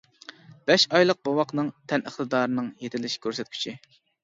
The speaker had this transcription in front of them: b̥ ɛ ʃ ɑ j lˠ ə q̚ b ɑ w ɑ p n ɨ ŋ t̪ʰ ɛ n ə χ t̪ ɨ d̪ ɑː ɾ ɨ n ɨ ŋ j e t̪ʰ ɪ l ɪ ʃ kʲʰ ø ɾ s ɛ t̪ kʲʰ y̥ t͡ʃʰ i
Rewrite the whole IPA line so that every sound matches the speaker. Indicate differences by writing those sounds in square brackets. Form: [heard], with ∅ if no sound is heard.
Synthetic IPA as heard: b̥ ɛ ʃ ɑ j lˠ ə q̚ b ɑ w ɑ [q] n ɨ ŋ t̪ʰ ɛ n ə χ t̪ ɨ d̪ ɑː ɾ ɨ n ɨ ŋ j e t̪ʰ ɪ l ɪ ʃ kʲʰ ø ɾ s ɛ t̪ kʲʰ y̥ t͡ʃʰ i